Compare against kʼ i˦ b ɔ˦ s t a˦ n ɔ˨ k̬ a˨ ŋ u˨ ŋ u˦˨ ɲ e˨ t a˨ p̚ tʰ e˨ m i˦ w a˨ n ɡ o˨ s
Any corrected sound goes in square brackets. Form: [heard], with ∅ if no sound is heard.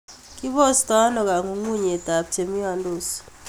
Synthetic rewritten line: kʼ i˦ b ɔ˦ s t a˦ n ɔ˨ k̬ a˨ ŋ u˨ ŋ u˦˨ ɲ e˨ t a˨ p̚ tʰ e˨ m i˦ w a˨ n [d] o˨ s